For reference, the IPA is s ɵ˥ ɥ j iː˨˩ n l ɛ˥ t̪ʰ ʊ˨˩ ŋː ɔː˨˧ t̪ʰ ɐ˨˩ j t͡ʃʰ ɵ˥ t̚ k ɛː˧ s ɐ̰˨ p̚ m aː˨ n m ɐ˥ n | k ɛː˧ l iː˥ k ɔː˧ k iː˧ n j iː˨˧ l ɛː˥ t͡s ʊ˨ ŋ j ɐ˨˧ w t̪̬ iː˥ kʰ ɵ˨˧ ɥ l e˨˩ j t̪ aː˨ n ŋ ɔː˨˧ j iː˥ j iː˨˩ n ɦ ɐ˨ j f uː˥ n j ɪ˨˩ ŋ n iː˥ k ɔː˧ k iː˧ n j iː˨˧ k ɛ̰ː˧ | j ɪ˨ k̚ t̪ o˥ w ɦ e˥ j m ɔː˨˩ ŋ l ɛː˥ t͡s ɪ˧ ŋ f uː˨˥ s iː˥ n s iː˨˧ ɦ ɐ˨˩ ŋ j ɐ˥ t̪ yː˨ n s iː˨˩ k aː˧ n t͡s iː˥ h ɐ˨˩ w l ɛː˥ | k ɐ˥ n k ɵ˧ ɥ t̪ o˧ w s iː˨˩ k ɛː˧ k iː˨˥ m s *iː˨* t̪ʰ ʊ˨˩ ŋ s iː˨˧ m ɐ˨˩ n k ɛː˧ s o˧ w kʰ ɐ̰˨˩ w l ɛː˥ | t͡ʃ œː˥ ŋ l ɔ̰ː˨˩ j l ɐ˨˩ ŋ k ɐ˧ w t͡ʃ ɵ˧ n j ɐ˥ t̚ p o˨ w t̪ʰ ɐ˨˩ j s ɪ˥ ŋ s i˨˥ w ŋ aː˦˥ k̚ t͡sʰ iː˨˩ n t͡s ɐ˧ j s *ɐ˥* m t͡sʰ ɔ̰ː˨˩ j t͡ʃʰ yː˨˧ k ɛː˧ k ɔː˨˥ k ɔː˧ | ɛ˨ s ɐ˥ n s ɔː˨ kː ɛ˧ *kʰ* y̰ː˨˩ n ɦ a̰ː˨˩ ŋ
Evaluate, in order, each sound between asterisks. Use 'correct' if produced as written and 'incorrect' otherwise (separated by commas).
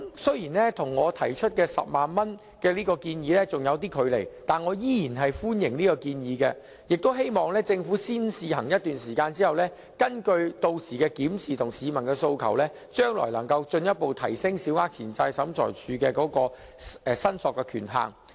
correct, incorrect, correct